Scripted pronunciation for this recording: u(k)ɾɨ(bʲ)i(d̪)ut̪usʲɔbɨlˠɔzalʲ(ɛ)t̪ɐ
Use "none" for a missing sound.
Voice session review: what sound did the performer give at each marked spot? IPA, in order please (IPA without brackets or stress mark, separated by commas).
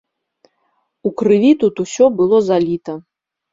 k, vʲ, t̪, i